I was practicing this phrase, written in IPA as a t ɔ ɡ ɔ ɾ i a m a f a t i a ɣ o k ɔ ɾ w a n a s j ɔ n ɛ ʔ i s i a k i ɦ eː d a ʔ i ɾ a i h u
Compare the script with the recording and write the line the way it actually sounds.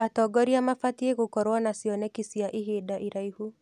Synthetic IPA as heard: a t ɔ ɡ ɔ ɾ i a m a f a t i e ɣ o k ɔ ɾ w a n a s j ɔ n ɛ k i s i a ʔ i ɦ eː d a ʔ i ɾ a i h u